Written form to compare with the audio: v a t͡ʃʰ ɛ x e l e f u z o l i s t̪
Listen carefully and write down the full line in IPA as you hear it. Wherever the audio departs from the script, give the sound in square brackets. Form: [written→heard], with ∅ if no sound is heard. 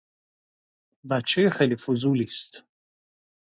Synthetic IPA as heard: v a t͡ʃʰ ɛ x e l [e→i] f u z [o→u] l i s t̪